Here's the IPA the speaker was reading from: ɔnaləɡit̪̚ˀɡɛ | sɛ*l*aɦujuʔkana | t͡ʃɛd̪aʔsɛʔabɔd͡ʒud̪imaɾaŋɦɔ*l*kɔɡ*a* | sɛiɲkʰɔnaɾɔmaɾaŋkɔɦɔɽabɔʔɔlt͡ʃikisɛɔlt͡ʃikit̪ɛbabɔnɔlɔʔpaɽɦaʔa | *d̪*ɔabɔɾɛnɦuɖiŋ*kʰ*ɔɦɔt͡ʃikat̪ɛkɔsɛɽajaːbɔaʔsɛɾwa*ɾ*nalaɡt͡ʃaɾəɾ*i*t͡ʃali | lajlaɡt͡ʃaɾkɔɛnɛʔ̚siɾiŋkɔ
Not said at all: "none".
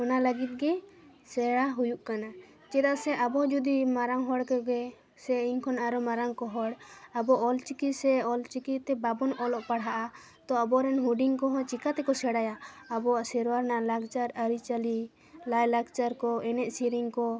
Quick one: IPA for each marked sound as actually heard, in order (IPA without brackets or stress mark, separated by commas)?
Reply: ɽ, ɽ, ɛ, t̪, k, ɾ, i